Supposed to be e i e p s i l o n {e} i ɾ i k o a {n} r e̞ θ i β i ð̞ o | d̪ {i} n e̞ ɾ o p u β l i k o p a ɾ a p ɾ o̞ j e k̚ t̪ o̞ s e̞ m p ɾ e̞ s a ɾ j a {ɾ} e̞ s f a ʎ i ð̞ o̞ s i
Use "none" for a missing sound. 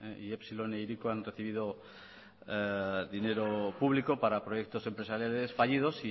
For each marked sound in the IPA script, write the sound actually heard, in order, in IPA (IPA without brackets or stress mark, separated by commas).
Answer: e, n, i, l